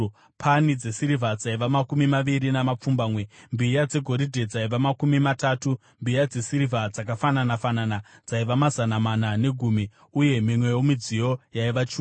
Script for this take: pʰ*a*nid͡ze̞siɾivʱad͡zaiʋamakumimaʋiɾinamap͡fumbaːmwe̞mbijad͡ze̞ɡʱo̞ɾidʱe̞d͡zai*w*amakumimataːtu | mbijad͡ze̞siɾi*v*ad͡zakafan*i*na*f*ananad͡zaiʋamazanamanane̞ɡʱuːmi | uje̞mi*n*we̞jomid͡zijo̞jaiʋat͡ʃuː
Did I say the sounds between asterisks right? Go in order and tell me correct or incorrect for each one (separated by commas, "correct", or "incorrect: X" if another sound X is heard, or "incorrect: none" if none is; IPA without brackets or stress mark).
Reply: correct, incorrect: ʋ, correct, incorrect: a, correct, incorrect: m